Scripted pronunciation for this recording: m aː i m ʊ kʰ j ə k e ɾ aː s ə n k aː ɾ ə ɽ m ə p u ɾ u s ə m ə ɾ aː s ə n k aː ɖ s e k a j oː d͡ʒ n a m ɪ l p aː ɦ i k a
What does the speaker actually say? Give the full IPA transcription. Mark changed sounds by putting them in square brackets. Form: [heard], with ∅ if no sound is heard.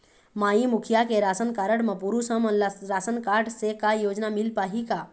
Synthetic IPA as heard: m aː i m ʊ kʰ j [a] k e ɾ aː s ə n k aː ɾ ə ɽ m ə p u ɾ u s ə m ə ɾ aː s ə n k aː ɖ s e k a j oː d͡ʒ n a m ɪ l p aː ɦ i k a

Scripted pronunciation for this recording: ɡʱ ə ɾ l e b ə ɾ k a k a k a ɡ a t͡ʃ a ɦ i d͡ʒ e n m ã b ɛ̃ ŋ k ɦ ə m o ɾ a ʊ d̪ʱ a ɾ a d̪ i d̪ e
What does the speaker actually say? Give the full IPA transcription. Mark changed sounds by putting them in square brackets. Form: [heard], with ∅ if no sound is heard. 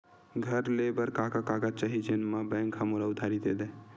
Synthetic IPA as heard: ɡʱ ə ɾ l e b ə ɾ k a k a k a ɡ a t͡ʃ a ɦ i d͡ʒ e n m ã b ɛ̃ ŋ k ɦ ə m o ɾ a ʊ d̪ʱ a ɾ [i] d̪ [e] d̪ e

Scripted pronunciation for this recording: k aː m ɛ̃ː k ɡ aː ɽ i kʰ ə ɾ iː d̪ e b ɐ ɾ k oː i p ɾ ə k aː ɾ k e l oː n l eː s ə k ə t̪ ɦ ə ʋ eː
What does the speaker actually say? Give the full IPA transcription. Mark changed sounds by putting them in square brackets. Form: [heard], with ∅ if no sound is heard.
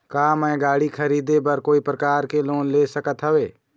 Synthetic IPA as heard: k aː m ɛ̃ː [∅] ɡ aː ɽ i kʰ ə ɾ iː d̪ e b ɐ ɾ k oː i p ɾ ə k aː ɾ k e l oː n l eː s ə k ə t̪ ɦ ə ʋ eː

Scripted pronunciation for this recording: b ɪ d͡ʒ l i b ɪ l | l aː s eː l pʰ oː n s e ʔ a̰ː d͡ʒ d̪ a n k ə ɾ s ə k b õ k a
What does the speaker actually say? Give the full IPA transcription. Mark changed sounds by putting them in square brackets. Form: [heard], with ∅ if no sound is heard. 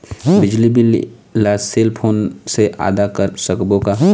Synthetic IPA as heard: b ɪ d͡ʒ l i b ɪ l | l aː s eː l pʰ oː n s e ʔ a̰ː [∅] d̪ a [∅] k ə ɾ s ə k b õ k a

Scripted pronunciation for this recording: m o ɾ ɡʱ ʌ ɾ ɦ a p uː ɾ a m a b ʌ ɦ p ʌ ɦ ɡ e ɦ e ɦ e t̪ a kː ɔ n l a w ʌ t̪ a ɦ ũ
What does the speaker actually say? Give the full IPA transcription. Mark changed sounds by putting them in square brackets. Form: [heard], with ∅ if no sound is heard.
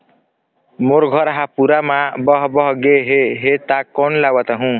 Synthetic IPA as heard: m o ɾ ɡʱ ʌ ɾ ɦ a p [u] ɾ a m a b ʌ ɦ [b] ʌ ɦ ɡ e ɦ e ɦ e t̪ a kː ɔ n l a w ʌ t̪ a ɦ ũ

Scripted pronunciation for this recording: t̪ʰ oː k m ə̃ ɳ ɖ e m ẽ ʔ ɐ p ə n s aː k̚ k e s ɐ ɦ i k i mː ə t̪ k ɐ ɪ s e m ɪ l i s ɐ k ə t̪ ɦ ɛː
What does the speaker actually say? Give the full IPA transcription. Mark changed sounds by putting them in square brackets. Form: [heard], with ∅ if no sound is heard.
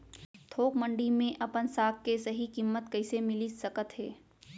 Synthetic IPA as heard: t̪ʰ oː k m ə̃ ɳ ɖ [i] m ẽ ʔ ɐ p ə n s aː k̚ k e s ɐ ɦ i k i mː ə t̪ k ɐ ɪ s e m ɪ l i s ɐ k ə t̪ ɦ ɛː

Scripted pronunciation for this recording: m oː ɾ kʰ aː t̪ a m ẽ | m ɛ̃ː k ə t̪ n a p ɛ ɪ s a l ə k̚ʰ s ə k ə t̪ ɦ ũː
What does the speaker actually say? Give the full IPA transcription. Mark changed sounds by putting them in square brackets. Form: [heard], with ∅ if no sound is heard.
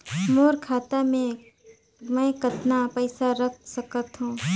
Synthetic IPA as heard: m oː ɾ kʰ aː t̪ a m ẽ | m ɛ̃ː k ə t̪ n a p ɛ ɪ s a [ɾ] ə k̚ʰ s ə k ə t̪ ɦ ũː

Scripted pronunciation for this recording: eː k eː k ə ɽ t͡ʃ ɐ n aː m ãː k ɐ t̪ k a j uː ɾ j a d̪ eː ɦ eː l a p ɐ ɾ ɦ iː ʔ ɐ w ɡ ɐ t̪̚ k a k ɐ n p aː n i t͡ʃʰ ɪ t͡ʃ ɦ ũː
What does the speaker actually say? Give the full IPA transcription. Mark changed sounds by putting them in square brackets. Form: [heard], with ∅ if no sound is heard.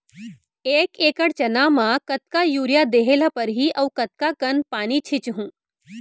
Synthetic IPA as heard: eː k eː k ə ɽ t͡ʃ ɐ n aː m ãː k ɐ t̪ k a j uː ɾ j a d̪ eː ɦ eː l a p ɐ ɾ ɦ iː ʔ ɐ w [k] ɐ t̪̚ k a k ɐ n p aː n i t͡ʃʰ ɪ t͡ʃ ɦ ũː

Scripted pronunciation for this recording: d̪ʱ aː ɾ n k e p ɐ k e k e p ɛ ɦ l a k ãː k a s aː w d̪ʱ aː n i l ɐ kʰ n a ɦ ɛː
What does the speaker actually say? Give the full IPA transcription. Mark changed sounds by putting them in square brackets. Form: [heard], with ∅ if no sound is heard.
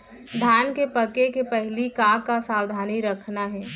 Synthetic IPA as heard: d̪ʱ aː [∅] n k e p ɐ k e k e p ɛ ɦ l [i] k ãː k a s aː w d̪ʱ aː n i [ɾ] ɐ kʰ n a ɦ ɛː

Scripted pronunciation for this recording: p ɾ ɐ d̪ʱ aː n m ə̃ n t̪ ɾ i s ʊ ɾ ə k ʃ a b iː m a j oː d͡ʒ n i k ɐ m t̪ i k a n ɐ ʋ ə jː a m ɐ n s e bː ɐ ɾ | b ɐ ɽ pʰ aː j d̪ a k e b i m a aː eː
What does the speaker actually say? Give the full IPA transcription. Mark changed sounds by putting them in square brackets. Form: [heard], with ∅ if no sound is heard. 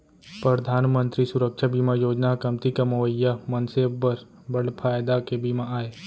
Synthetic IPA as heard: p ɾ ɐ d̪ʱ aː n m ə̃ n t̪ ɾ i s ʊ ɾ ə k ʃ a b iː m a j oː d͡ʒ n [a] k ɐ m t̪ i k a [m] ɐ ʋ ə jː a m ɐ n s e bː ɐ ɾ | b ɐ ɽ pʰ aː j d̪ a k e b i m a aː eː

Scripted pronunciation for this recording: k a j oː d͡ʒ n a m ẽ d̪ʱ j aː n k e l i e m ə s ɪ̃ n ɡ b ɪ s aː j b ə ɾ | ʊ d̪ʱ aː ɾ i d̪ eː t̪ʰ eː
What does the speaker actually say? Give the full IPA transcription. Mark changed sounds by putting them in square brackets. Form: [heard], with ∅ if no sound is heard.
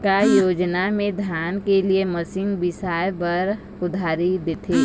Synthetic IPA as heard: k a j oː d͡ʒ n a m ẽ d̪ʱ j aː n k e l i e m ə s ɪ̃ [ŋ] ɡ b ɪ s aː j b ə ɾ | ʊ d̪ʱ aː ɾ i d̪ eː t̪ʰ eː

